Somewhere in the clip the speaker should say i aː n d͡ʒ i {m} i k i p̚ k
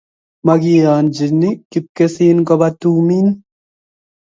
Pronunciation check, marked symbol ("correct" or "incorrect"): incorrect